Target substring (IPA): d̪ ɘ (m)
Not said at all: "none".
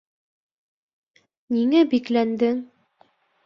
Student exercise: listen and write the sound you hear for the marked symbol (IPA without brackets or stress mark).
ŋ